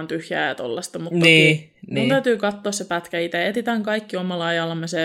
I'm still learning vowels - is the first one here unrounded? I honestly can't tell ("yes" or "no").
no